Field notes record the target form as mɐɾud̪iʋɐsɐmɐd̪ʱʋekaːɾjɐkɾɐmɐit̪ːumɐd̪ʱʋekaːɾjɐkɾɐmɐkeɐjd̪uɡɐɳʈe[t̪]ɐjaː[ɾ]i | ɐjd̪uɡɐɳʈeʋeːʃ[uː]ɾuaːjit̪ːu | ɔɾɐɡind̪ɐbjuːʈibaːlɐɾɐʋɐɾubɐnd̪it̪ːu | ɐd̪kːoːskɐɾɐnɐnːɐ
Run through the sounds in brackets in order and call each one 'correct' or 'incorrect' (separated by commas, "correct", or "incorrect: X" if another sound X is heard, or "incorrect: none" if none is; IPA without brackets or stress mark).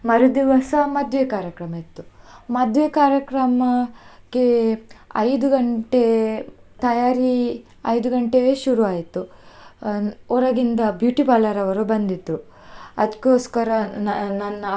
correct, correct, incorrect: u